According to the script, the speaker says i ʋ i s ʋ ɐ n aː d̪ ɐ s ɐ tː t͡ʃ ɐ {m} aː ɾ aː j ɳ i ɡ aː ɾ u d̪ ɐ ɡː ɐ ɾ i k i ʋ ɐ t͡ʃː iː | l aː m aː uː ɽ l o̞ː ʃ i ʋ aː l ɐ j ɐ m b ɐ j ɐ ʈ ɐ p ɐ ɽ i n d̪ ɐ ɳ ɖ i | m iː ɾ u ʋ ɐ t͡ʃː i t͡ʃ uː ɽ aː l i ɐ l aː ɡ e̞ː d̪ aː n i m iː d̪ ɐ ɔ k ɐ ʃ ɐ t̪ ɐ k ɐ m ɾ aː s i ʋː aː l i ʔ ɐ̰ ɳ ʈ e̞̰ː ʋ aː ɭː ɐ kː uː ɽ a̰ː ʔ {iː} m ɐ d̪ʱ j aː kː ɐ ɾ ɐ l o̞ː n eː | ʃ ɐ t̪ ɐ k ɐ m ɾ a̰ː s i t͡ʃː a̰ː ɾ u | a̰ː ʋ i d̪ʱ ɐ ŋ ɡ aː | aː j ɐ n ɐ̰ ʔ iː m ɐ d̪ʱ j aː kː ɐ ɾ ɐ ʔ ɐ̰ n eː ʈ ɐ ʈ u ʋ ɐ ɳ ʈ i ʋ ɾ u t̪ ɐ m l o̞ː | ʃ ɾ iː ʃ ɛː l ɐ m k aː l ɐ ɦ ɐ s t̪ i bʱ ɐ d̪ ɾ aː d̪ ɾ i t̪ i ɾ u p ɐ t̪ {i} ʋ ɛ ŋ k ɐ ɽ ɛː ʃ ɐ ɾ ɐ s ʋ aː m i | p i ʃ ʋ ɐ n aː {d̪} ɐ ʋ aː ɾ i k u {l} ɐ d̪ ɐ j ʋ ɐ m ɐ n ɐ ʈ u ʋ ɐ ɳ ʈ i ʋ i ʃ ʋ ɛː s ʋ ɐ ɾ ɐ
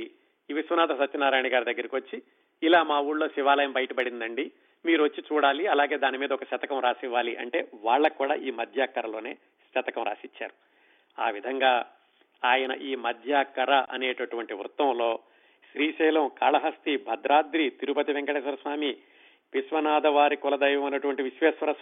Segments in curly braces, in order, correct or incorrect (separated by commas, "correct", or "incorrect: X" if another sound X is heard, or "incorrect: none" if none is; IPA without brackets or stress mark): incorrect: n, correct, correct, correct, correct